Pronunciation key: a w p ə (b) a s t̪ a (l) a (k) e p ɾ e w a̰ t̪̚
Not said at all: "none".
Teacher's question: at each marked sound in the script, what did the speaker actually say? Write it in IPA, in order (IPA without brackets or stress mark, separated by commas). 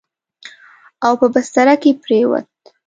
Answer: b, ɾ, k